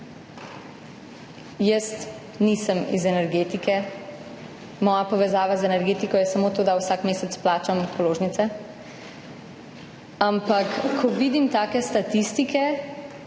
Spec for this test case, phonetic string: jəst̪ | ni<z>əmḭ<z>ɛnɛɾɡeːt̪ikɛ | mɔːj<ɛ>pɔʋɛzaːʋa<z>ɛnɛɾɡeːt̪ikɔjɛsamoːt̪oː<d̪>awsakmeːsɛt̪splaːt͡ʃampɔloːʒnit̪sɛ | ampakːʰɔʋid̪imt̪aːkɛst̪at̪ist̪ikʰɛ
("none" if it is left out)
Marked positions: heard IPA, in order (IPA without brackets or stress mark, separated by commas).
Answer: s, z, a, z, d̪